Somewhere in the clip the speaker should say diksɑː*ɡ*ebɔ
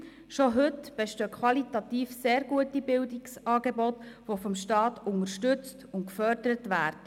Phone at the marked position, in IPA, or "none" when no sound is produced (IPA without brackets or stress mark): ɡ